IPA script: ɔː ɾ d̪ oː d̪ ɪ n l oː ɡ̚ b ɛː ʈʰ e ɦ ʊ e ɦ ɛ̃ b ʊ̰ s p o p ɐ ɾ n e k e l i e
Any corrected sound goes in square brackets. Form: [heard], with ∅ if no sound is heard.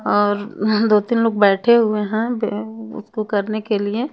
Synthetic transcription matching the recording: ɔː ɾ d̪ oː [t̪] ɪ n l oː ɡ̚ b ɛː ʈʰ e ɦ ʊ e ɦ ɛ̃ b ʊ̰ s [k] o [k] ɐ ɾ n e k e l i e